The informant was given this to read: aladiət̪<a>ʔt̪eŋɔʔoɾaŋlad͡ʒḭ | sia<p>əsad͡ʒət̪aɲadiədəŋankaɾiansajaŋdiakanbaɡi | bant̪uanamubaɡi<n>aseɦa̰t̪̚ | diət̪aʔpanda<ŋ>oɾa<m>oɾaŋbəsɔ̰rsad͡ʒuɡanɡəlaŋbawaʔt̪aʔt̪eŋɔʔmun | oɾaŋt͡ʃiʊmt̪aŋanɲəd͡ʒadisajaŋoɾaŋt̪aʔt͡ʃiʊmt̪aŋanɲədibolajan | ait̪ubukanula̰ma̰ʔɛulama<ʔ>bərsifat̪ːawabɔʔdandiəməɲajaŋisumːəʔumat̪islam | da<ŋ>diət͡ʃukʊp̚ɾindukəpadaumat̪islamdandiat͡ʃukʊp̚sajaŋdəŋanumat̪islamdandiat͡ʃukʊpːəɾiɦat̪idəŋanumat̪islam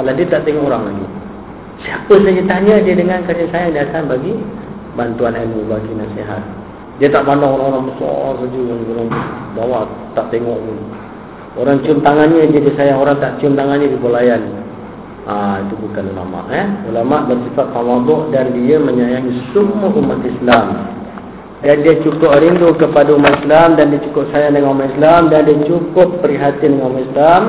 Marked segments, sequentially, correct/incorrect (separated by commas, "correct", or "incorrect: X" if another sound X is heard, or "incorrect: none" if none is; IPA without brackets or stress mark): correct, correct, correct, correct, incorrect: ŋ, correct, incorrect: n